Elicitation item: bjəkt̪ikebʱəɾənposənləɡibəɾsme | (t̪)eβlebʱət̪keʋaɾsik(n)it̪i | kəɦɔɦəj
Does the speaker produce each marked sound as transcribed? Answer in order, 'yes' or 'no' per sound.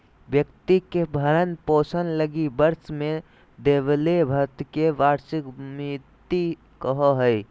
no, no

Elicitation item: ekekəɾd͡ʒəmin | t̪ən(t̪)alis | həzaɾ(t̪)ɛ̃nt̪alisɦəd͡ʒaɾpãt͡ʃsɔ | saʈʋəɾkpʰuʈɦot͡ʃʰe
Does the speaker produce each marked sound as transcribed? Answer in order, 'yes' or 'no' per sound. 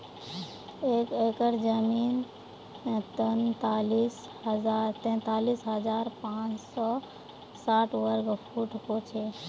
yes, yes

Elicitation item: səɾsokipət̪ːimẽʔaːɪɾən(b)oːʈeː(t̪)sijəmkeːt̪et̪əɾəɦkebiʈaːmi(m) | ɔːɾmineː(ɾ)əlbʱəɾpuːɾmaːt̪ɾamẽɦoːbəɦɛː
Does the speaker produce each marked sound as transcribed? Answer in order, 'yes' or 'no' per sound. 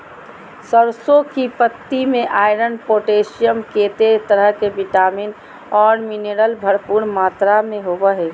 no, no, no, yes

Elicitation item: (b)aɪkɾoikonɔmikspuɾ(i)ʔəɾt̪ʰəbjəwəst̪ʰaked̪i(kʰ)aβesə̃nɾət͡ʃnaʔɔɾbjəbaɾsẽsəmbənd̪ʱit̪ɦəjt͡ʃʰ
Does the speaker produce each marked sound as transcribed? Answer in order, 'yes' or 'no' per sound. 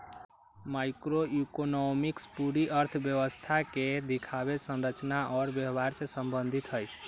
no, yes, yes

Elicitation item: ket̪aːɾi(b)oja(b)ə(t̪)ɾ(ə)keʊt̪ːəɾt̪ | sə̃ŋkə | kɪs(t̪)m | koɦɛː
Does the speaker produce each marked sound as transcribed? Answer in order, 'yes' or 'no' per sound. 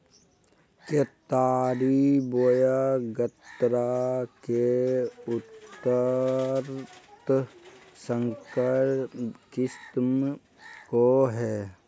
yes, no, yes, no, yes

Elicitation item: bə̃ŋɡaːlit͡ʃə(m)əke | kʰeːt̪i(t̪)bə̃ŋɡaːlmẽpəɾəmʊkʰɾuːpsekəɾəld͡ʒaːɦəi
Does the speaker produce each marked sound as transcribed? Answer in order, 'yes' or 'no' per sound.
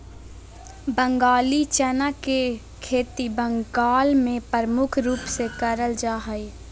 no, no

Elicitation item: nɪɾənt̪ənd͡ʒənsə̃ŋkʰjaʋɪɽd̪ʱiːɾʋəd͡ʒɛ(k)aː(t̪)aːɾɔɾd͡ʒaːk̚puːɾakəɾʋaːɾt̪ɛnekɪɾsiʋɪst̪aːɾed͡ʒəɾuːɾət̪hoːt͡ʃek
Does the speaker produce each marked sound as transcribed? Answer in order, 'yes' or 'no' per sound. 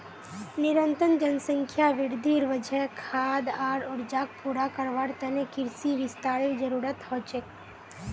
no, no

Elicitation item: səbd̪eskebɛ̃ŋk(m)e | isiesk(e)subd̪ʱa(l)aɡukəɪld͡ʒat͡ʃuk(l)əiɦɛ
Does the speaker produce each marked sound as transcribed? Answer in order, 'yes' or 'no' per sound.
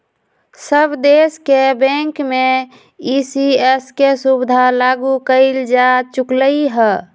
yes, yes, yes, yes

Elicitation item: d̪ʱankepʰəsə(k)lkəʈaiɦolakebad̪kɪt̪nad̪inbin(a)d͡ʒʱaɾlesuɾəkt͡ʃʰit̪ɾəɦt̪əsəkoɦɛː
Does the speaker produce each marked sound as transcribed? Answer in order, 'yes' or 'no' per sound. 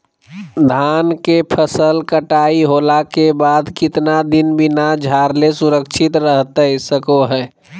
no, yes

